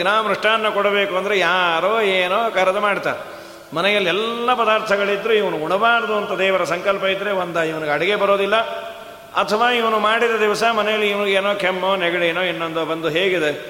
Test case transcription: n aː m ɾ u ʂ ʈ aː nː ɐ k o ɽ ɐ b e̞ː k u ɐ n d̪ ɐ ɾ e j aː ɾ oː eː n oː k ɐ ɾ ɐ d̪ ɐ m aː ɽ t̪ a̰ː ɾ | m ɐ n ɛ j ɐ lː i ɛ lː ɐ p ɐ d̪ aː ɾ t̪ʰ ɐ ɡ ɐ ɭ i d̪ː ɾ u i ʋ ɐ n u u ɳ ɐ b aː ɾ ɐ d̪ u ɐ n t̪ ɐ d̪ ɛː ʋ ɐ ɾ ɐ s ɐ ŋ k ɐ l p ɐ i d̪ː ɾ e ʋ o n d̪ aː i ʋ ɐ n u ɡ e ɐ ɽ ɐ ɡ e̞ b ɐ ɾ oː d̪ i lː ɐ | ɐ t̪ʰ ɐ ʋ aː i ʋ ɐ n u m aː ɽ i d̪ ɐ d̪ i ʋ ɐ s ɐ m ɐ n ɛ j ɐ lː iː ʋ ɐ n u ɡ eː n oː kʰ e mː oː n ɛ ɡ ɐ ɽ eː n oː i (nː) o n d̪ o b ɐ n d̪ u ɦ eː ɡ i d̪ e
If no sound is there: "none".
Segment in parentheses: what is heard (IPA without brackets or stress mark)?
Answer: nː